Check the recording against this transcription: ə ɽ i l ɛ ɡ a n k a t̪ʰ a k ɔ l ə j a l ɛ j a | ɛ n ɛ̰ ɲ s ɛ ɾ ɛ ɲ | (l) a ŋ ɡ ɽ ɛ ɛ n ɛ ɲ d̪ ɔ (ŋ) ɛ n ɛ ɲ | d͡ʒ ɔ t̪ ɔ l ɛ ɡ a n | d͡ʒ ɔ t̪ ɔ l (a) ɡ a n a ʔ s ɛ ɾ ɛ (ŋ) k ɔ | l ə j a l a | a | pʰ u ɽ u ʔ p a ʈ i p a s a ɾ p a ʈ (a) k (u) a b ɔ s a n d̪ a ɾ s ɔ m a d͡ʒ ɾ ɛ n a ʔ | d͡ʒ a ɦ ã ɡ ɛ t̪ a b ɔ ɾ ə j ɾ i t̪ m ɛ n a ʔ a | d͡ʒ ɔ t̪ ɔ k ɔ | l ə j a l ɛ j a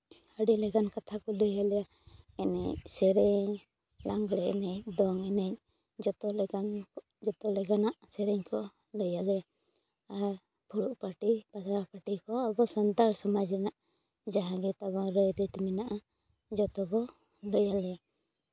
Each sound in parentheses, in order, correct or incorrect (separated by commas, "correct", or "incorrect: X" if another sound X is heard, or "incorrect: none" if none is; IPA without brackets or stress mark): correct, correct, incorrect: ɛ, incorrect: ɲ, incorrect: i, incorrect: ɔ